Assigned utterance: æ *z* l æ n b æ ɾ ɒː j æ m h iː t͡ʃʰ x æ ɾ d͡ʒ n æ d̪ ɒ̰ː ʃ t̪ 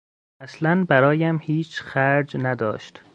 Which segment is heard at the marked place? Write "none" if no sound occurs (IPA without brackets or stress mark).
s